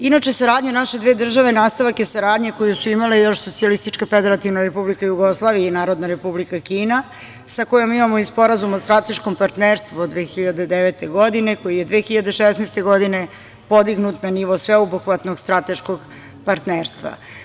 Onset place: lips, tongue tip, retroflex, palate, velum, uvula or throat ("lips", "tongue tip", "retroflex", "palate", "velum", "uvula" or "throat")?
tongue tip